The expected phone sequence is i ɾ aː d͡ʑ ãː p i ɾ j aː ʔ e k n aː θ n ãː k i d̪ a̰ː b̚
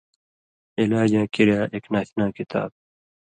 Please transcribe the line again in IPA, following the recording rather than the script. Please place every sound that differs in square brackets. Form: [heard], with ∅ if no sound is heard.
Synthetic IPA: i [l] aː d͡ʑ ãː [k] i ɾ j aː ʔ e k n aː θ n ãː k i [t̪] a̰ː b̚